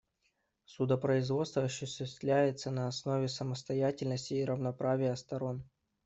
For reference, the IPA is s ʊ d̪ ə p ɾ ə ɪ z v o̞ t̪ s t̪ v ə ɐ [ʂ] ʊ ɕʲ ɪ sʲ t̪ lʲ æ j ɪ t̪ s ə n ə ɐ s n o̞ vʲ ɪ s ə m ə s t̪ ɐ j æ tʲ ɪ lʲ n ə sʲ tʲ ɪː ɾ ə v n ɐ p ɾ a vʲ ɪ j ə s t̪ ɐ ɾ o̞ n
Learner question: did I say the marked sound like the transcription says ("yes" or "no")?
no